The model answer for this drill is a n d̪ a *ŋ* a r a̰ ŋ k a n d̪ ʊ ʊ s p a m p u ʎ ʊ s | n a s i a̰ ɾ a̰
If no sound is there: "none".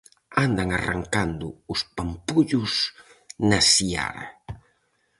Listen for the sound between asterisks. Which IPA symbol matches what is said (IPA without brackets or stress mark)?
ŋ